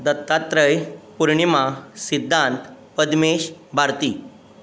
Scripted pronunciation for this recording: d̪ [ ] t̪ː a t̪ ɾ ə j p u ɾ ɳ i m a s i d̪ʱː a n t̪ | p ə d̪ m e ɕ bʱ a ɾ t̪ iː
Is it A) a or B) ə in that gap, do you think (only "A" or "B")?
B